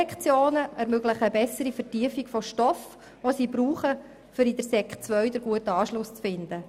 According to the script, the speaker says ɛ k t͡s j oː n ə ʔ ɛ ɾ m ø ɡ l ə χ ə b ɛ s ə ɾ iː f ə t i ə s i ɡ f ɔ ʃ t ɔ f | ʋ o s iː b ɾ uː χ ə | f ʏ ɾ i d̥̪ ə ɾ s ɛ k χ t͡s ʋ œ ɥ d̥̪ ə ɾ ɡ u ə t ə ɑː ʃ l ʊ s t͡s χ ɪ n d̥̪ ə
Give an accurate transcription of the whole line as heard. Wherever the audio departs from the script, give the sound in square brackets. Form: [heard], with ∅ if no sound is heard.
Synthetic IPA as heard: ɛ k t͡s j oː n ə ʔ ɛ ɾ m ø ɡ l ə χ ə b ɛ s ə ɾ [i] f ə t i ə [f] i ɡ f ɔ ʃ t ɔ f | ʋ o s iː b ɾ uː χ ə | f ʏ ɾ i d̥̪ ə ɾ s ɛ k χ t͡s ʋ œ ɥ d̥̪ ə ɾ ɡ u ə t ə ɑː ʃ l ʊ s t͡s [f] ɪ n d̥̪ ə